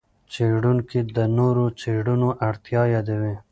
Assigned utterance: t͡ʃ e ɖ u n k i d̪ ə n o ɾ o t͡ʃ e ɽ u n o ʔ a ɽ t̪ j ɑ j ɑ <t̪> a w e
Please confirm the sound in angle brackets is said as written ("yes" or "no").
no